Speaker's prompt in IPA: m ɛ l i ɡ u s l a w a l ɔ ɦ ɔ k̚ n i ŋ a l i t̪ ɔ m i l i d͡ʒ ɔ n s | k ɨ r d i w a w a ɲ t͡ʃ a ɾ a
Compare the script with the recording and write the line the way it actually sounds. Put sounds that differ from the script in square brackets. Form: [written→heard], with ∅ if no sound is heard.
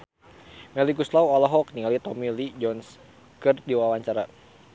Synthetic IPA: m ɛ l i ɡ u s l a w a l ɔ ɦ ɔ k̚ n i ŋ a l i t̪ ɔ m i l i d͡ʒ ɔ n s | k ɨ r d i w a w a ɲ t͡ʃ a ɾ a